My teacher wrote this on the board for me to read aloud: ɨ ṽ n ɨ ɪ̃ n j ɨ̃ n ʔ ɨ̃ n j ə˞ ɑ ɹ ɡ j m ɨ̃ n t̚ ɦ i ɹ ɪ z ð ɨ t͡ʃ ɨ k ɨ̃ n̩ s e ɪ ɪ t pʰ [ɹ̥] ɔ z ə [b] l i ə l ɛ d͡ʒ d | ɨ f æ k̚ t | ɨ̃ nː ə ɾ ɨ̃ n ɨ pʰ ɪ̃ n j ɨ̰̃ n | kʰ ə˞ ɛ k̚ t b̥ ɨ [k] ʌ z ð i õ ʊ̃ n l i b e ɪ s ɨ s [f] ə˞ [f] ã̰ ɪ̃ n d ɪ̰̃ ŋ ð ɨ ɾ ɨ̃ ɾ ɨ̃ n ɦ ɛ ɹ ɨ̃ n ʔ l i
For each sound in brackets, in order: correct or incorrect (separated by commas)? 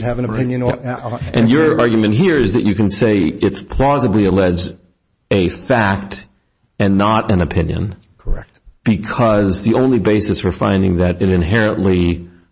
incorrect, correct, incorrect, correct, correct